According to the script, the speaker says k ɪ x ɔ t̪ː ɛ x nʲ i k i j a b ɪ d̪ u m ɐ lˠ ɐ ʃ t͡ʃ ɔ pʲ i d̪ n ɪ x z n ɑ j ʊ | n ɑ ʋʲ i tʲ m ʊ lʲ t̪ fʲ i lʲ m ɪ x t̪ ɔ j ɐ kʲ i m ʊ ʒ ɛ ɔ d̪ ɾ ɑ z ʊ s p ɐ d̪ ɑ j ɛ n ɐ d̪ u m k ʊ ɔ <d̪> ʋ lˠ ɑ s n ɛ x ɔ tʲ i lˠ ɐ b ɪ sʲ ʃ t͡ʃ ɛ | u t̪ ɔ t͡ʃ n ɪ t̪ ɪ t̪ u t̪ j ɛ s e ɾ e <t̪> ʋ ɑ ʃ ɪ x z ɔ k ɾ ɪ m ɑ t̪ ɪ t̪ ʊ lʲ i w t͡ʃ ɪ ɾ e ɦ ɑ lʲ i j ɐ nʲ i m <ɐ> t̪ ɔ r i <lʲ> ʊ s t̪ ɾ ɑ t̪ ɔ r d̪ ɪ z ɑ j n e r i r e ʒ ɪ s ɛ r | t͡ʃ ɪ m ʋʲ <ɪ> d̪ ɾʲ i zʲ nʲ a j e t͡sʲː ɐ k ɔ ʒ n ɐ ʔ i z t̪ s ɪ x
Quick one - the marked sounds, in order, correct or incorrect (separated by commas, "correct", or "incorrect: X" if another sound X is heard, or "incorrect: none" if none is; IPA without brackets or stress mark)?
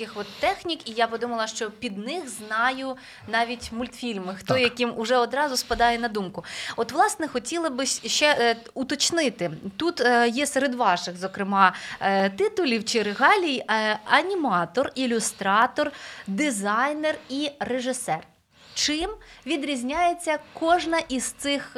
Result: incorrect: t̪, incorrect: d̪, incorrect: ɑ, correct, incorrect: i